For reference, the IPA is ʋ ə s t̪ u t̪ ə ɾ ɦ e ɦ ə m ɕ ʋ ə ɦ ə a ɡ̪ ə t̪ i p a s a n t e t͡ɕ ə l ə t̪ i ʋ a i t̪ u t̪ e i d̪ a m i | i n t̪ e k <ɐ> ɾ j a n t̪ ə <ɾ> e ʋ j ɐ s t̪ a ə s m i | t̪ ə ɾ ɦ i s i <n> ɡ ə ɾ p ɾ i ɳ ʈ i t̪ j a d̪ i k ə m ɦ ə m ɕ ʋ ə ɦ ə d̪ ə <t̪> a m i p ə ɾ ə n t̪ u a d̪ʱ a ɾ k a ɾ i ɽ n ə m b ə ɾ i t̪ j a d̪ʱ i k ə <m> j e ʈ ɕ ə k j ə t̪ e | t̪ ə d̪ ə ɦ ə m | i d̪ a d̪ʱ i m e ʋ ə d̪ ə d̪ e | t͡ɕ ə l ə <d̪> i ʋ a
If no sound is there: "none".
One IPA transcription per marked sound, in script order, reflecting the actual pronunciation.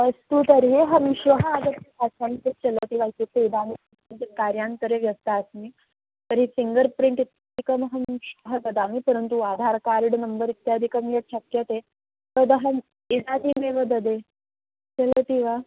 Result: a, ɾ, ŋ, d̪, m, t̪

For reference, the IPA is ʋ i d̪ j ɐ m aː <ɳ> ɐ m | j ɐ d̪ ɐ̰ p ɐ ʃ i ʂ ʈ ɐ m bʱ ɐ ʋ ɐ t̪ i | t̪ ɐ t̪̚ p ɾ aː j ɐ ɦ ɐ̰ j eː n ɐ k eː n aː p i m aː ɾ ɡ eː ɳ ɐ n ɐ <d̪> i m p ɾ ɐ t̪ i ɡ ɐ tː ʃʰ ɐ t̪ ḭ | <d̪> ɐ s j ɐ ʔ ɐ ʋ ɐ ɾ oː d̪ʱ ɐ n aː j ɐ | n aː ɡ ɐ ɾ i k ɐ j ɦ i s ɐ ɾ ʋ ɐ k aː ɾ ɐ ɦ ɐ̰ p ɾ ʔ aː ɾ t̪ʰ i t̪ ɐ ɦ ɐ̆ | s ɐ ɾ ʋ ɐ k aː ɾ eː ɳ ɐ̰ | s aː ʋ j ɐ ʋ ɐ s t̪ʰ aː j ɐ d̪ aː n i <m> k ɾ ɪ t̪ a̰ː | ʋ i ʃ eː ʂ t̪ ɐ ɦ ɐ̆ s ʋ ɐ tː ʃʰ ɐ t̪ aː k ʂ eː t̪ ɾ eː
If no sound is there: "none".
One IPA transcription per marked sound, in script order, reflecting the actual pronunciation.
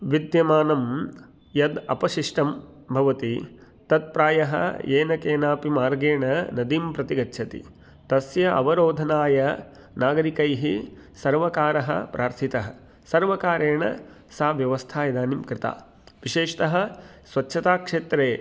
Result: n, d̪, t̪, m

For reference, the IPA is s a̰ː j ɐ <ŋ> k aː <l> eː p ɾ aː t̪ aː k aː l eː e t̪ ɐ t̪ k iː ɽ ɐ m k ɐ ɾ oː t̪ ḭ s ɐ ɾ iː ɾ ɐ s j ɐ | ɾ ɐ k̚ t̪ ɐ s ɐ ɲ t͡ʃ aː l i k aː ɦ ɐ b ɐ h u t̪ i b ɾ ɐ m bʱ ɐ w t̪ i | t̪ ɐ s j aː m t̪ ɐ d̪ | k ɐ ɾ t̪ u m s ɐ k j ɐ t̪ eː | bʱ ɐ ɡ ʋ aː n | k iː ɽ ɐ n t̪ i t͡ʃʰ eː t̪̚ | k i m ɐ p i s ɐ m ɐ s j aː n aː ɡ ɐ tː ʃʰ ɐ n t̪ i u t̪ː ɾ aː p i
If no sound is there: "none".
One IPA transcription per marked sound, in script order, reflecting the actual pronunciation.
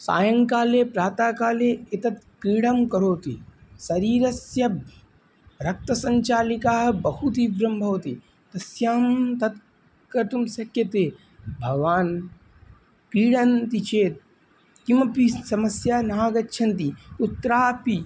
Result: ŋ, l

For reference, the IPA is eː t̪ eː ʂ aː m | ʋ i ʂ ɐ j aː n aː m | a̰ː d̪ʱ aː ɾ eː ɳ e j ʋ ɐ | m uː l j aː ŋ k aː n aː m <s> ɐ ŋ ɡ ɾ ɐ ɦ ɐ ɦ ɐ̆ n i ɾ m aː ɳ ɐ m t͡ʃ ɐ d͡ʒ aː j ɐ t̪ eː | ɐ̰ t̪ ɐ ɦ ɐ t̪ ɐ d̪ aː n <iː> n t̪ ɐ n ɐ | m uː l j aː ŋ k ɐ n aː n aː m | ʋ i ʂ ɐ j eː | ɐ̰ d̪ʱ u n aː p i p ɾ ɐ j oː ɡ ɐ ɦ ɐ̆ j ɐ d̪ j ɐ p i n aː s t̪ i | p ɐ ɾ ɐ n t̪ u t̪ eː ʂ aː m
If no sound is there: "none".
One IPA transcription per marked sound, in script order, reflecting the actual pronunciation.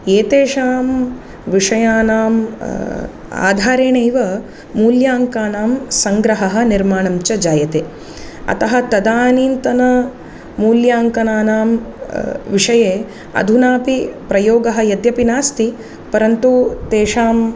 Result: s, iː

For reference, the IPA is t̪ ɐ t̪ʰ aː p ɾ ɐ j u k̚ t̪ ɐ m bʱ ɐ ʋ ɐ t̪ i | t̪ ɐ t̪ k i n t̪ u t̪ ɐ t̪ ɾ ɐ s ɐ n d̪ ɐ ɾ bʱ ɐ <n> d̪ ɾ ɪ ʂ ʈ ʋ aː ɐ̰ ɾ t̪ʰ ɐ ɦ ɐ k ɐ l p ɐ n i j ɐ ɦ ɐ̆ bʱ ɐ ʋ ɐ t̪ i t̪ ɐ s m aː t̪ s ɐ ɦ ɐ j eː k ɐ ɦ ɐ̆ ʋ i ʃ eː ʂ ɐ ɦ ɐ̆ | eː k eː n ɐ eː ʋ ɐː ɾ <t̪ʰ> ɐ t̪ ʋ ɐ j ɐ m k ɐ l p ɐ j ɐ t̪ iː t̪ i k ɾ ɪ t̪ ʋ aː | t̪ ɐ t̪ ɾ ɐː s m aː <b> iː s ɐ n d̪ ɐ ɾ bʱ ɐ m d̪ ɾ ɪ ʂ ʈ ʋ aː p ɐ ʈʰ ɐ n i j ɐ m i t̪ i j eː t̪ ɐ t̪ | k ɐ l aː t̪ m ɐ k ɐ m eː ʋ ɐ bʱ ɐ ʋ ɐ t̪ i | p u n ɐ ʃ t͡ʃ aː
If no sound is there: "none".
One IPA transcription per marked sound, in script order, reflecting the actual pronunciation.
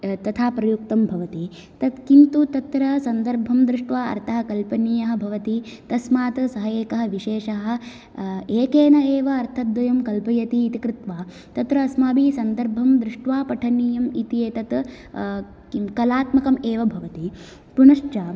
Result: m, t̪ʰ, b

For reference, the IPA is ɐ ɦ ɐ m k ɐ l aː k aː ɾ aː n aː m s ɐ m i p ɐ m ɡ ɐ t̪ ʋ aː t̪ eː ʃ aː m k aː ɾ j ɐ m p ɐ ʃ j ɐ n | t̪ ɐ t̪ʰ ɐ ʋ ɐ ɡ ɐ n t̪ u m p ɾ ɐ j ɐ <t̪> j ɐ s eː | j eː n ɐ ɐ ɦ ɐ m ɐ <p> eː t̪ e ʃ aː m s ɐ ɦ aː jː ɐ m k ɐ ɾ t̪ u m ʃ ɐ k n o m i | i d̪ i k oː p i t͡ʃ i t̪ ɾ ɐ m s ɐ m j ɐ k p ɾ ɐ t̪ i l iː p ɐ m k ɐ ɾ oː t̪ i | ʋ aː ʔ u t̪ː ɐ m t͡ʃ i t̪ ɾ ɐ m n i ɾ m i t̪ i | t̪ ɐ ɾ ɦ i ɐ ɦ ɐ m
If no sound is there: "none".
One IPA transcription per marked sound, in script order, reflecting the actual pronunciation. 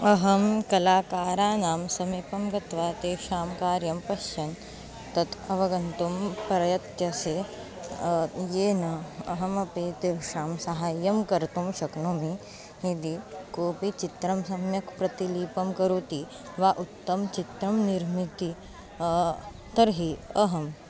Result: t̪, p

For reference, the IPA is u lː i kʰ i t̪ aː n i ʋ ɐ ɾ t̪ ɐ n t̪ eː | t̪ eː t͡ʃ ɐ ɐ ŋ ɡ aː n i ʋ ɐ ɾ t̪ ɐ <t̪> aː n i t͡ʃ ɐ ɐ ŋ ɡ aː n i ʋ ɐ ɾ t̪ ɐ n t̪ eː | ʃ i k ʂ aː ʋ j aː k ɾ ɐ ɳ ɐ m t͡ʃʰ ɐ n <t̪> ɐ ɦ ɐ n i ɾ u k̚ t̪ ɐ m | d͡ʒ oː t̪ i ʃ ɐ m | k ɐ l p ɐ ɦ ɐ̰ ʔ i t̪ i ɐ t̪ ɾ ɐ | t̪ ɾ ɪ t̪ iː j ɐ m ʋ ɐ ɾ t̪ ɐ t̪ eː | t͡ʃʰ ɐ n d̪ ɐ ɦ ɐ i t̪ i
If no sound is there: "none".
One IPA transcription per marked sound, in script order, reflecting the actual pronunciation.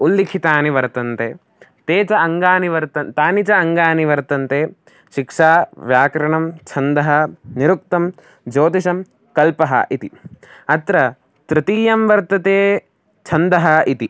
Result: t̪, d̪

